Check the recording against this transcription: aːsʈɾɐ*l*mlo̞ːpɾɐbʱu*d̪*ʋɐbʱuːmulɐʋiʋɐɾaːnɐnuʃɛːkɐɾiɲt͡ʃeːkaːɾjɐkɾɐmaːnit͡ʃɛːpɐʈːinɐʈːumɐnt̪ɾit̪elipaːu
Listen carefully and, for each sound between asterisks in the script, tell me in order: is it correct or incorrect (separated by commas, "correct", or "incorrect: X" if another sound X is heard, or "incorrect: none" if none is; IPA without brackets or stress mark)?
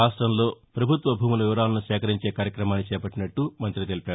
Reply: incorrect: none, incorrect: t̪